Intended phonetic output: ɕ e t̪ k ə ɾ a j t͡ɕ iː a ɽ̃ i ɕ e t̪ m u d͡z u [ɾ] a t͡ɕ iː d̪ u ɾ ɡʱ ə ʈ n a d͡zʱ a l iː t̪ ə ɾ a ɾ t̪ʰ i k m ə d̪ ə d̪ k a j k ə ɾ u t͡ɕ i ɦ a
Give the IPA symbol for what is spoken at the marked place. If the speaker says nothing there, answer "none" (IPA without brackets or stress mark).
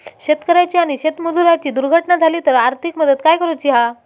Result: ɾ